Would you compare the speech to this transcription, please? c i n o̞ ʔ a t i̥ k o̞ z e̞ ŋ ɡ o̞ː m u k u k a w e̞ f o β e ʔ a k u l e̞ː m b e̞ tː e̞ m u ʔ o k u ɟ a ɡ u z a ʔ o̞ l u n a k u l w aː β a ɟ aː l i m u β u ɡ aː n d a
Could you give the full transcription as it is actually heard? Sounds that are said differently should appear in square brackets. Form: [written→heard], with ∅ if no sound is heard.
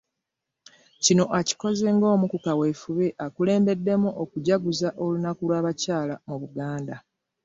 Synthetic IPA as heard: c i n o̞ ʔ a [t→c] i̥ k o̞ z e̞ ŋ ɡ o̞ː m u k u k a w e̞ f [o→u] β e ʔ a k u l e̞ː m b e̞ [tː→dː] e̞ m u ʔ o k u ɟ a ɡ u z a ʔ o̞ l u n a k u l w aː β a [ɟ→c] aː l [i→a] m u β u ɡ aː n d a